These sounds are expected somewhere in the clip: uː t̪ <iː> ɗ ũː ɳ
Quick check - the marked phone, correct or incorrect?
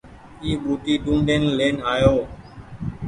correct